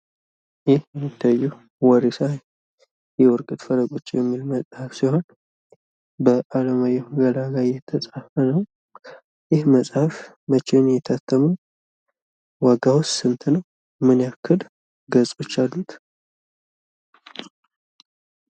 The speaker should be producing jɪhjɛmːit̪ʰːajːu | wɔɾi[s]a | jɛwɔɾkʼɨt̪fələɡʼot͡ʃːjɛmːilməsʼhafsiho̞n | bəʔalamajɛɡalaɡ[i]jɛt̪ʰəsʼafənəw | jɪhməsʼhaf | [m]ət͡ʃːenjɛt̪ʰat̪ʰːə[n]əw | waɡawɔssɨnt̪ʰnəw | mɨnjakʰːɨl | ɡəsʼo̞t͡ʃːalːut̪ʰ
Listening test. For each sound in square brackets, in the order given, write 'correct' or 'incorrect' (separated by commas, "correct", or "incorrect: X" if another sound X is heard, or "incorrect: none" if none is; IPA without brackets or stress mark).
correct, incorrect: a, correct, incorrect: m